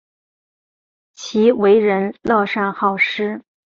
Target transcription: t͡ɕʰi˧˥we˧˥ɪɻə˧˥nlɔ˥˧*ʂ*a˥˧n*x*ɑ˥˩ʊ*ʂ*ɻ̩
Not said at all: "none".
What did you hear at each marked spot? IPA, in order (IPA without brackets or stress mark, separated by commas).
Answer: ʂ, x, ʂ